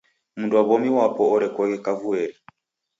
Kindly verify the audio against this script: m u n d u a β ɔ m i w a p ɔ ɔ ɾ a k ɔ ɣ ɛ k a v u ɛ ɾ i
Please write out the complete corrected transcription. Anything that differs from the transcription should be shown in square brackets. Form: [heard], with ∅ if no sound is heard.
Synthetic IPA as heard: m u n d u a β ɔ m i w a p ɔ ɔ ɾ [ɛ] k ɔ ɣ ɛ k a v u ɛ ɾ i